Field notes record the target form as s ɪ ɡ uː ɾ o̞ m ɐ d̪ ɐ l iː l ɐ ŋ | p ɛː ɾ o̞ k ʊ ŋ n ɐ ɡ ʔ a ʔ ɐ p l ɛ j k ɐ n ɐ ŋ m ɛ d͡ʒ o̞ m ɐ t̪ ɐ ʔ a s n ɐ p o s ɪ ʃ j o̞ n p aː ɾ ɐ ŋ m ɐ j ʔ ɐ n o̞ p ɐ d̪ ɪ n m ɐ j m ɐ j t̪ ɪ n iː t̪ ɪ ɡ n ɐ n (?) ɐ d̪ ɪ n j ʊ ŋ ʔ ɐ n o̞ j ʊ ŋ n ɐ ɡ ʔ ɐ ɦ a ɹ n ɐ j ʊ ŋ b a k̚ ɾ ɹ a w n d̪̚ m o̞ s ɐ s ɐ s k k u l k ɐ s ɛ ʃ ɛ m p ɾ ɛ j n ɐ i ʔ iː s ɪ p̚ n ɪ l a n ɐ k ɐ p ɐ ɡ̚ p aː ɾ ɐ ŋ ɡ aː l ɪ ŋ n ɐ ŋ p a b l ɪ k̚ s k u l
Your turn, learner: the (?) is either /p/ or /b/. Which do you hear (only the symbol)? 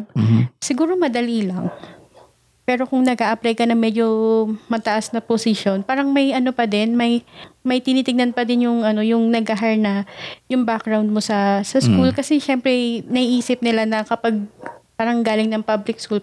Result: p